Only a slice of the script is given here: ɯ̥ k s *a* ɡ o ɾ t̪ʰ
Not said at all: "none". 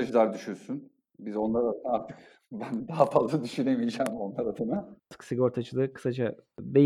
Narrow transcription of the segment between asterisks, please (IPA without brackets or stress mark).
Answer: i